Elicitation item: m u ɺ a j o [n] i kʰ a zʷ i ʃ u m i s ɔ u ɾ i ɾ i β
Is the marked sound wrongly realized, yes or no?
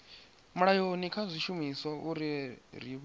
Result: no